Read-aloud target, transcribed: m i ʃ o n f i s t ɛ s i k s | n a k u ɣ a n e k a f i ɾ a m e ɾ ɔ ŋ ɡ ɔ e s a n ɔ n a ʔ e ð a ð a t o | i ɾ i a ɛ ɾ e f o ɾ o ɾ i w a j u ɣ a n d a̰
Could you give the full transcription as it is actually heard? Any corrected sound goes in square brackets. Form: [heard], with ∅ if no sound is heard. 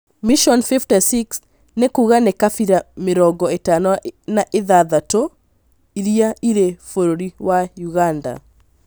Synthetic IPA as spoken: m i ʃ [ɔ] n f i [f] t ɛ s i k s | n [e] k u ɣ a n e k a f i ɾ a m e ɾ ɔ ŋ ɡ ɔ e [t] a n ɔ n a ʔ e ð a ð a t o | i ɾ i a [i] ɾ e f o ɾ o ɾ i w a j u ɣ a n d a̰